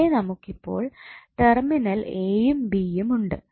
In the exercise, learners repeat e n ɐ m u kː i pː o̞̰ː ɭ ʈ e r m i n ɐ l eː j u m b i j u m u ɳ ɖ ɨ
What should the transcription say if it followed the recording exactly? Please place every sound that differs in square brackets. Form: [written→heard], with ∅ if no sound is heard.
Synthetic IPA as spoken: e n ɐ m u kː i pː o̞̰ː ɭ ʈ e r m i n ɐ l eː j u m b i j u m u ɳ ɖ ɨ